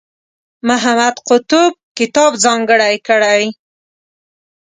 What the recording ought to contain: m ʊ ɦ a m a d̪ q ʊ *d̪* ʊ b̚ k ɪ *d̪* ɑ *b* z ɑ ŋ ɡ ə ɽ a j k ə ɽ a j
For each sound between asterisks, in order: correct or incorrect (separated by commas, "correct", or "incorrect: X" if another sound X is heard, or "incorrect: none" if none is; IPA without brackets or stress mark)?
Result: incorrect: t̪, incorrect: t̪, correct